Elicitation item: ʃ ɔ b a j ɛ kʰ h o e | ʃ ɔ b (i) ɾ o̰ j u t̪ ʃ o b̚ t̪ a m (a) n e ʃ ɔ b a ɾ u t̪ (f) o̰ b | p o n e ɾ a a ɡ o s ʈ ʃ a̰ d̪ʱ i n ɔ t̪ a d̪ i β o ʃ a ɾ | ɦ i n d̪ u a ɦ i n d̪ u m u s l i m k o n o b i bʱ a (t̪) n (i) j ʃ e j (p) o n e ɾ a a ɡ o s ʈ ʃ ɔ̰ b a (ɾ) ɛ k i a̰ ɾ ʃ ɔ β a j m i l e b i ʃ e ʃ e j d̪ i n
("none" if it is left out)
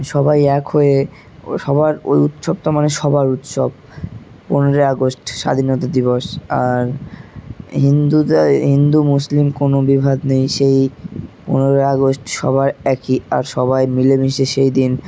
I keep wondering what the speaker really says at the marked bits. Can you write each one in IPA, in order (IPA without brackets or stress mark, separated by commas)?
a, a, ʃ, d̪, e, p, ɾ